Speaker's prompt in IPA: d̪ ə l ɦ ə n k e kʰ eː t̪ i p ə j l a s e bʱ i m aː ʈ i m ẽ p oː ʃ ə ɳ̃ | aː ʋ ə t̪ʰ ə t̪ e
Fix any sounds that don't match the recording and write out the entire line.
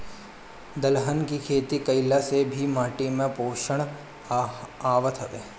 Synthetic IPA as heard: d̪ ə l ɦ ə n k i kʰ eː t̪ i k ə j l a s e bʱ i m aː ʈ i m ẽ p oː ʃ ə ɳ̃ | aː ʋ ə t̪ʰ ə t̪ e